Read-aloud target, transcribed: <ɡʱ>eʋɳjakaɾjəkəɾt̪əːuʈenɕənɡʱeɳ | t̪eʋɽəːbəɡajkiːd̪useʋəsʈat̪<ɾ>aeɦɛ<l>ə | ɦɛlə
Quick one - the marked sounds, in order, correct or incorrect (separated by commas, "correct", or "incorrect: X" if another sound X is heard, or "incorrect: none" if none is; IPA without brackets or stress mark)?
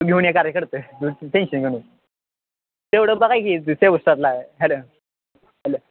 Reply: correct, incorrect: l, correct